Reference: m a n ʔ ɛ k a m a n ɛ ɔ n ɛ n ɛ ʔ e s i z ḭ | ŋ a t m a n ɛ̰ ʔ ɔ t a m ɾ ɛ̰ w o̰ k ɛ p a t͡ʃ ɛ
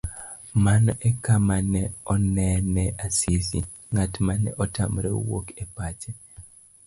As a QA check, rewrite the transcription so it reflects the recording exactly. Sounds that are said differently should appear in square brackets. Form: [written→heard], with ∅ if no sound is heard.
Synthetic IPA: m a n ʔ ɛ k a m a n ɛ ɔ n ɛ n ɛ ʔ [e→a] s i [z→s] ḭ | ŋ a t m a n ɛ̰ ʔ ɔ t a m ɾ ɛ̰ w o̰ k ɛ p a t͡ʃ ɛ